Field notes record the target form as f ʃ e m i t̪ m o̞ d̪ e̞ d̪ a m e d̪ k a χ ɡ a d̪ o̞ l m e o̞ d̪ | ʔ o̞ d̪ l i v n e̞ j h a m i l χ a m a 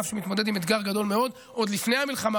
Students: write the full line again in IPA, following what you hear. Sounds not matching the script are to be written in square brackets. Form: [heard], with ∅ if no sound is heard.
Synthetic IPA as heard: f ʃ e m i t̪ m o̞ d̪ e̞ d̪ [i] m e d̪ [ɡ] a [ʁ] ɡ a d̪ o̞ l m e o̞ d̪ | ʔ o̞ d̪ l i [f] n e̞ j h a m i l χ a m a

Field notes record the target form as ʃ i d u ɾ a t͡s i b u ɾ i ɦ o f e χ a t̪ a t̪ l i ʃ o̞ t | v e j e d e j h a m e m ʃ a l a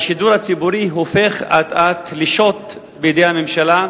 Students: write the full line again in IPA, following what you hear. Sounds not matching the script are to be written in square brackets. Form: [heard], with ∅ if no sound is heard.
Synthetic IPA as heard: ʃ i d u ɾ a t͡s i b u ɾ i ɦ o f e χ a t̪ a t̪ l i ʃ o̞ t | [b] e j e d e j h a m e m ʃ a l a

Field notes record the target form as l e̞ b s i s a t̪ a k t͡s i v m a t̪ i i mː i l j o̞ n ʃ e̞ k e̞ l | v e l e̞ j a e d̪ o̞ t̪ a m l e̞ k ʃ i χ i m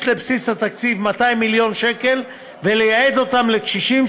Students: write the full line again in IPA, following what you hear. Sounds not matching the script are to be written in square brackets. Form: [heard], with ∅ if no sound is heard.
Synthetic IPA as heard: l e̞ b s i s a t̪ a k t͡s i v m a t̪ [a] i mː i l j o̞ n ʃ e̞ k e̞ l | v e l e̞ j a e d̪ o̞ t̪ a m l e̞ k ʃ i [ʃ] i m

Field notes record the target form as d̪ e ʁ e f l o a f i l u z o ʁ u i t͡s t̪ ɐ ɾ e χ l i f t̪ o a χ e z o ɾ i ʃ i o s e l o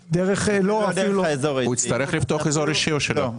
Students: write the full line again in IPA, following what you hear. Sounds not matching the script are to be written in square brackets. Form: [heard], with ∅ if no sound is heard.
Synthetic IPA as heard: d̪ e ʁ e [χ] l o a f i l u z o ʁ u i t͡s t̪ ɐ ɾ e χ l i f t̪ o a χ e z o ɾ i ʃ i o [ʃ] e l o

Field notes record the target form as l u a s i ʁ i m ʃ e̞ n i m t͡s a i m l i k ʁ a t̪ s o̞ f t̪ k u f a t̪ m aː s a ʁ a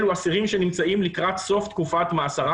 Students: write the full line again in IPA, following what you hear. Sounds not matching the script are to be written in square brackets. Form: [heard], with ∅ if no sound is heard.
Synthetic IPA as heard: l u a s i ʁ i m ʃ e̞ n i m t͡s a i m l i k ʁ a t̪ s o̞ f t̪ k u f a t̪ m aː s a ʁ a

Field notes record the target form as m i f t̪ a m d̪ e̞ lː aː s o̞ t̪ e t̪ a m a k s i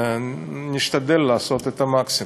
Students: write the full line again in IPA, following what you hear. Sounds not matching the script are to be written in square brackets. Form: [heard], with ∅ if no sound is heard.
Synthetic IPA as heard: [n] i [ʃ] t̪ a [∅] d̪ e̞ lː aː s o̞ t̪ e t̪ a m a k s i

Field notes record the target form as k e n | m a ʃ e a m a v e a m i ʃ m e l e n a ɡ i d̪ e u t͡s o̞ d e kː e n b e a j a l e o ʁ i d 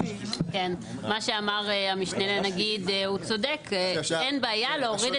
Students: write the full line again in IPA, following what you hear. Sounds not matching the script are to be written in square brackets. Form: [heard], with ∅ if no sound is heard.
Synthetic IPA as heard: k e n | m a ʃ e a m a [ʁ] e a m i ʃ [n] e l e n a ɡ i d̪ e u t͡s o̞ d e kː e n b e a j a l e o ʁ i d

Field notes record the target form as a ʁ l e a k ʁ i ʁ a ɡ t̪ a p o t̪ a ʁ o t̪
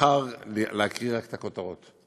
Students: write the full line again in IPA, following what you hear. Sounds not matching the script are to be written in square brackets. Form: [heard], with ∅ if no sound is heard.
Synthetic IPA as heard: a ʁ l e a k ʁ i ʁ a [k] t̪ a [k] o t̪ a ʁ o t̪

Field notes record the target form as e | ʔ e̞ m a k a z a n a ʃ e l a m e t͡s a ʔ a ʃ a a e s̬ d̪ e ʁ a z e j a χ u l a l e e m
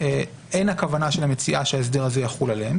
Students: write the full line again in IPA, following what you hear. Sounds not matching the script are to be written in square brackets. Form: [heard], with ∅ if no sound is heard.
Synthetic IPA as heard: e | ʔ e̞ [n] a k a [v] a n a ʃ e l a m e t͡s [i] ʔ a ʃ [e] a e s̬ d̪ e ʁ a z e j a χ u l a l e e m

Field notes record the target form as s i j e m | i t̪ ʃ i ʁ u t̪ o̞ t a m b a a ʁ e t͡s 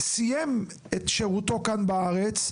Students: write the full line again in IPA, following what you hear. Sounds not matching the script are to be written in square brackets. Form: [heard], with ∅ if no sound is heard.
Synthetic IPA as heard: s i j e m | [e] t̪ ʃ [e] ʁ u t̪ o̞ [k] a [n] b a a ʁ e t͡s

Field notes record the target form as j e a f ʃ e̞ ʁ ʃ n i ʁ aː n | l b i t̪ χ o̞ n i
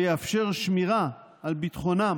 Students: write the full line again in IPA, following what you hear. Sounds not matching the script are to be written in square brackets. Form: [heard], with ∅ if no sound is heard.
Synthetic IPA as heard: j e a f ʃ e̞ ʁ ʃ [m] i ʁ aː [∅] | l b i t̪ χ o̞ n [a]

